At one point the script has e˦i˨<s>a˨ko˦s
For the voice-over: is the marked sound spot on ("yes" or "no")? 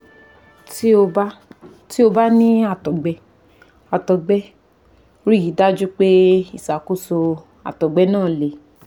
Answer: yes